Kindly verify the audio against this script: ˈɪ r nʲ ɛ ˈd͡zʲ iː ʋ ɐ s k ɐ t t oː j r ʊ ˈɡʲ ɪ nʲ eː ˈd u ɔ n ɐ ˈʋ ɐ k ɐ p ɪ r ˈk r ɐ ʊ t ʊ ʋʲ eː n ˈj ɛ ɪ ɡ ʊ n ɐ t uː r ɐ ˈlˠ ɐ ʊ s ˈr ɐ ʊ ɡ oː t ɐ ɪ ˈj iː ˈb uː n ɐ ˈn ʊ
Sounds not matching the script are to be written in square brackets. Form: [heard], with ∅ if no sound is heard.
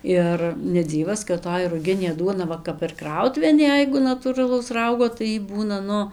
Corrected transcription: ˈɪ r nʲ ɛ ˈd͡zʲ iː ʋ ɐ s k ɐ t t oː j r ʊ ˈɡʲ ɪ nʲ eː ˈd u ɔ n ɐ ˈʋ ɐ k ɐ p ɪ r ˈk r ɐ ʊ t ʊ ʋʲ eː n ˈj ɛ ɪ ɡ ʊ n ɐ t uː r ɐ ˈlˠ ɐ ʊ s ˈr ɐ ʊ ɡ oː t ɐ ɪ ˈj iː ˈb uː n ɐ ˈn ʊ